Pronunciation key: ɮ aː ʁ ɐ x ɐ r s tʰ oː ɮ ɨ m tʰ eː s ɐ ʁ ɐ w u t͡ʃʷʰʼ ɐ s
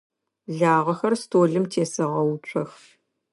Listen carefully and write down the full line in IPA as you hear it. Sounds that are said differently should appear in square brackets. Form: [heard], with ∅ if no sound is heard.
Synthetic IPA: ɮ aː ʁ ɐ x ɐ r s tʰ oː ɮ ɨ m tʰ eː s ɐ ʁ ɐ w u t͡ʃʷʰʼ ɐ [x]

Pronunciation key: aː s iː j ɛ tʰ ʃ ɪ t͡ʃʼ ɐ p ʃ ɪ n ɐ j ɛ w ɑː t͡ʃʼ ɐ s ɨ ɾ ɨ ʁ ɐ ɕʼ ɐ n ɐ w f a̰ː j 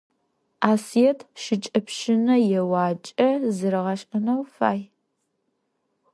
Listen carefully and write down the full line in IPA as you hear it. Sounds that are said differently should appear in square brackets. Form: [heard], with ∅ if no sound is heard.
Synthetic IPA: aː s [i] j ɛ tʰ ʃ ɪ t͡ʃʼ ɐ p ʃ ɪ n ɐ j ɛ w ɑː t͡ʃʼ ɐ [z] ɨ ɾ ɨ ʁ ɐ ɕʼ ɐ n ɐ w f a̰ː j

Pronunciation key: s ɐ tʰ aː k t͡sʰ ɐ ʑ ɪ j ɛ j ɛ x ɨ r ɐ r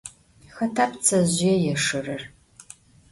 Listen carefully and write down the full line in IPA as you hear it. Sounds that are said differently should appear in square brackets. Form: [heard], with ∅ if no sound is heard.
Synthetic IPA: [x] ɐ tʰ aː [p] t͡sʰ ɐ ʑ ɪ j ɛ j ɛ [ʂ] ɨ r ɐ r

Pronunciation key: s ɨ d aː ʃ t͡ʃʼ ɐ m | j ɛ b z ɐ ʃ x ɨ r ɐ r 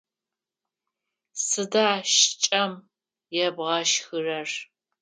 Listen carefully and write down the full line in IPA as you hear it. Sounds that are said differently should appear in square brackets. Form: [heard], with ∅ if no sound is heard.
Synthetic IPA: s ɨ d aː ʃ t͡ʃʼ ɐ m | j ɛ b [ʁ] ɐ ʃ x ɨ r ɐ r

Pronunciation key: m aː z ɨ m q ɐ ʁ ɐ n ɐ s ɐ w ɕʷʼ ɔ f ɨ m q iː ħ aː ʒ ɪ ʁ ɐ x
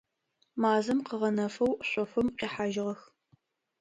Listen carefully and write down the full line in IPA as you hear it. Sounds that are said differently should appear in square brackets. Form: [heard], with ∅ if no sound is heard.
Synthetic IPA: m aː z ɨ m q [ə] ʁ ɐ n ɐ [f] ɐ w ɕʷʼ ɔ f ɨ m q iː ħ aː ʒ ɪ ʁ ɐ x

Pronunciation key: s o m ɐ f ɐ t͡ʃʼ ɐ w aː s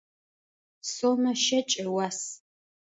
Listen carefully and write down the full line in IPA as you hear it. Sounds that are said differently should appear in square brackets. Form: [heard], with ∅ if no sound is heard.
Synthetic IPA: s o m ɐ [ʃ] ɐ t͡ʃʼ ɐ w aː s

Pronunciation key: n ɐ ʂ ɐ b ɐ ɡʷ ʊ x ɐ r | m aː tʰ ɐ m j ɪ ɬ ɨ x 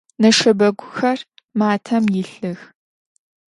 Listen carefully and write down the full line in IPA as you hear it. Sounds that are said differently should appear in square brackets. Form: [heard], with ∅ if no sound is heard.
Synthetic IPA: n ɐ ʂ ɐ b ɐ ɡʷ ʊ x ɐ r | m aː tʰ ɐ m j ɪ ɬ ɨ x

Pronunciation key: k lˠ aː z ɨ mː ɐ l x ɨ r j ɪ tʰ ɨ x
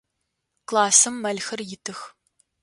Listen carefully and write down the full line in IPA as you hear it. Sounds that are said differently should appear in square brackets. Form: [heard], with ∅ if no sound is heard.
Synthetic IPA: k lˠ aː [s] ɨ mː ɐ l x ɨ r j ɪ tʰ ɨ x

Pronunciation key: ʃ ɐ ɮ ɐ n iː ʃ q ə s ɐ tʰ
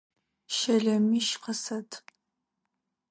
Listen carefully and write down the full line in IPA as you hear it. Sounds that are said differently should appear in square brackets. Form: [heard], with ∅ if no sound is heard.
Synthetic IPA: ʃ ɐ ɮ ɐ [m] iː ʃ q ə s ɐ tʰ

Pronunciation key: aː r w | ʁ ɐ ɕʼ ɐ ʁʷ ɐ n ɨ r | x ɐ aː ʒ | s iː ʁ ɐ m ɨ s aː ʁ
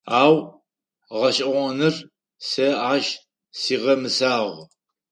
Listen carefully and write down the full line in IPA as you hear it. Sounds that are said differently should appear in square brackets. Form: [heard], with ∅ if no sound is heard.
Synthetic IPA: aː [∅] w | ʁ ɐ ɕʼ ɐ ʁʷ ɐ n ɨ r | [s] ɐ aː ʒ | s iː ʁ ɐ m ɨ s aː ʁ

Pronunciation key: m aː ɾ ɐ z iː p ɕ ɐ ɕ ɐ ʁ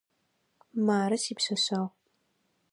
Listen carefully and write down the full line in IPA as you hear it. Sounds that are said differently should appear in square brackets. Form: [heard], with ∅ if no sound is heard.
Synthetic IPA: m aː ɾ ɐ [s] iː p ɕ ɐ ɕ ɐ ʁ

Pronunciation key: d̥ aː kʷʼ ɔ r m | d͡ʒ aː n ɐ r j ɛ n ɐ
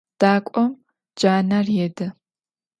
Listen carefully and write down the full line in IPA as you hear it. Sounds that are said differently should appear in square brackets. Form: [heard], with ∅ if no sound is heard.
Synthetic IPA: d̥ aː kʷʼ ɔ [∅] m | d͡ʒ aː n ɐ r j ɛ [d] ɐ

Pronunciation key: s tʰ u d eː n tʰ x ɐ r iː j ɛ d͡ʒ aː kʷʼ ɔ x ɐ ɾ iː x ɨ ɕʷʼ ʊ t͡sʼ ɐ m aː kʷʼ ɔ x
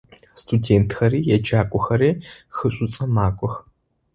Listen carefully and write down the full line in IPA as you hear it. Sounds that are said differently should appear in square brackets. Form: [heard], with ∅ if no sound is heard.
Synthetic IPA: s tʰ u d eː n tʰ x ɐ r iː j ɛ d͡ʒ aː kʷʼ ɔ x ɐ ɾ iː x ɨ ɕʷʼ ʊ t͡sʼ ɐ m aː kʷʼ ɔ x

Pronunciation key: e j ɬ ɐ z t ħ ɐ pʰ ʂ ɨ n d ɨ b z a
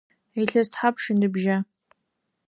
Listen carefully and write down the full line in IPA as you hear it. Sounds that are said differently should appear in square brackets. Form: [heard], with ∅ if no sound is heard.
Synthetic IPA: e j ɬ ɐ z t ħ [a] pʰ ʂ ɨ n d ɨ b [ʒ] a

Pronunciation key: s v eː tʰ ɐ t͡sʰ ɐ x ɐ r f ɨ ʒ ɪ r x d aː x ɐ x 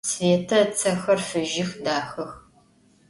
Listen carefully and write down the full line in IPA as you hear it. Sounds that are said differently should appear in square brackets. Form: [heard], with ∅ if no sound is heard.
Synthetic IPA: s v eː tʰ ɐ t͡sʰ ɐ x ɐ r f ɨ ʒ ɪ [∅] x d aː x ɐ x

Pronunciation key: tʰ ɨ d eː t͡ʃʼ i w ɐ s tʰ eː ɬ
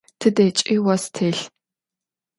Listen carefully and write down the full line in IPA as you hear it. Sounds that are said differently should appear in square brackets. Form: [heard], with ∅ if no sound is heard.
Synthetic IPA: tʰ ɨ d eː t͡ʃʼ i w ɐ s tʰ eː ɬ

